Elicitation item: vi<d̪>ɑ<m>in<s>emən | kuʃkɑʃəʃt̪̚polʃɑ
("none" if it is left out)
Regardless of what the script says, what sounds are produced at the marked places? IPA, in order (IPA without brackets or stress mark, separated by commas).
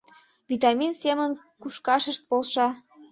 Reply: t̪, m, s